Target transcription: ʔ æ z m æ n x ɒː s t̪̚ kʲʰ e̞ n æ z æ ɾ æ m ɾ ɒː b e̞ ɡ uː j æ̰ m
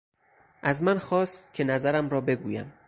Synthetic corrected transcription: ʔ æ z m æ n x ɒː s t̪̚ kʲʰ e̞ n æ z æ ɾ æ m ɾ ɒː b e̞ ɡ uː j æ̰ m

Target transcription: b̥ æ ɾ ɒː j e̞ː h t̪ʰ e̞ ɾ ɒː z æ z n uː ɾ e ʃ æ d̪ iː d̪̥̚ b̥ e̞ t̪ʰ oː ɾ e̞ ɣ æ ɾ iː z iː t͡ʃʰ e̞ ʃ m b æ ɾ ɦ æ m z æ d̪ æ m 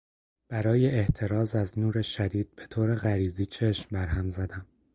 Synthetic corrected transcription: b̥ æ ɾ ɒː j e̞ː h t̪ʰ e̞ ɾ ɒː z æ z n uː ɾ e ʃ æ d̪ iː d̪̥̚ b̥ e̞ t̪ʰ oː ɾ e̞ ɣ æ ɾ iː z iː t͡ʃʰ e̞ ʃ m b æ ɾ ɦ æ m z æ d̪ æ m

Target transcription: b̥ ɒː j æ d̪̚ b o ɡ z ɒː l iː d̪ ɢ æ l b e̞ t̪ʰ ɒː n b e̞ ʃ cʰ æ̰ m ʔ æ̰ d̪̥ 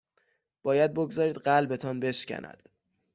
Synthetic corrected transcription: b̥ ɒː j æ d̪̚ b o ɡ z ɒː ɾ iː d̪ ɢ æ l b e̞ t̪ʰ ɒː n b e̞ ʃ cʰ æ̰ n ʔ æ̰ d̪̥

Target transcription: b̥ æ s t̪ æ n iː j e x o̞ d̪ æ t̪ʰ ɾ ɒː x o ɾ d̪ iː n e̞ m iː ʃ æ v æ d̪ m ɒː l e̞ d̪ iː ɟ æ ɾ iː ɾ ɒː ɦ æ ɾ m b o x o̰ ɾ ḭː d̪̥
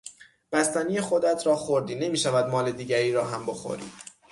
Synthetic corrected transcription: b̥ æ s t̪ æ n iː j e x o̞ d̪ æ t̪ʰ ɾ ɒː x o ɾ d̪ iː n e̞ m iː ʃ æ v æ d̪ m ɒː l e̞ d̪ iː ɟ æ ɾ iː ɾ ɒː ɦ æ m b o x o̰ ɾ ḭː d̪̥

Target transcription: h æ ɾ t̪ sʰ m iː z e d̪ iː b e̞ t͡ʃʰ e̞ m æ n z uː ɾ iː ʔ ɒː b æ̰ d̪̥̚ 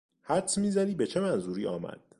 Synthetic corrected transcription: h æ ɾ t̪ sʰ m iː z æ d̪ iː b e̞ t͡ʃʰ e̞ m æ n z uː ɾ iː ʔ ɒː m æ̰ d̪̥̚

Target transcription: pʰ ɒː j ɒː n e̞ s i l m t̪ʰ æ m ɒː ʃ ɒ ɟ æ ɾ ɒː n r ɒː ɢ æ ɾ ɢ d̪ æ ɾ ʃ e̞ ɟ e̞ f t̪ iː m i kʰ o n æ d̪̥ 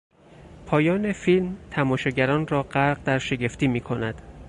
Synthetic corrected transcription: pʰ ɒː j ɒː n e̞ f i l m t̪ʰ æ m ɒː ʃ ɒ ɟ æ ɾ ɒː n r ɒː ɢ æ ɾ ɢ d̪ æ ɾ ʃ e̞ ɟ e̞ f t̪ iː m iː kʰ o n æ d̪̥

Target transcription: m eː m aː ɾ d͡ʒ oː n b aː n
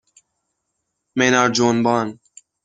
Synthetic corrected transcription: m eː n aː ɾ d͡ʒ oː n b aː n

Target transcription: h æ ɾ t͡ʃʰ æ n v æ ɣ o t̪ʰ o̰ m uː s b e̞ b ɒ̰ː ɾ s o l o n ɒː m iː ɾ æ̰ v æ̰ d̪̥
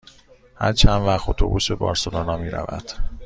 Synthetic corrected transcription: h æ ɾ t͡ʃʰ æ n v æ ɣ o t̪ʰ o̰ b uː s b e̞ b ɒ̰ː ɾ s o l o n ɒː m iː ɾ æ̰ v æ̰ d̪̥

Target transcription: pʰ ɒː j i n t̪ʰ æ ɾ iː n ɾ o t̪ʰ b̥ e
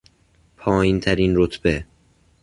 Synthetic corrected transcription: pʰ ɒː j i n t̪ʰ æ ɾ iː n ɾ o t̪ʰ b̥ e

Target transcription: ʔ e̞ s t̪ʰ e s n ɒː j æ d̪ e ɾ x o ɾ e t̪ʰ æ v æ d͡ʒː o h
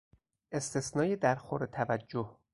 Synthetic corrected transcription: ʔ e̞ s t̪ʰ e s n ɒː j e d̪ æ ɾ x o ɾ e t̪ʰ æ v æ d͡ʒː o h

